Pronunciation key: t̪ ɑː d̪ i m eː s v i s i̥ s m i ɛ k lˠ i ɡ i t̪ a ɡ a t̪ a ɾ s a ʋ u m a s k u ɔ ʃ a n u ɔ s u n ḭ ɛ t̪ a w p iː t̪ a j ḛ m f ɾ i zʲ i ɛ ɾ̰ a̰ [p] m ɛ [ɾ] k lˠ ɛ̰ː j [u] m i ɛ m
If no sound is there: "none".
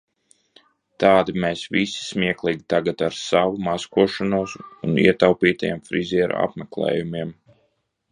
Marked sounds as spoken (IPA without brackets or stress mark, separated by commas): p, none, u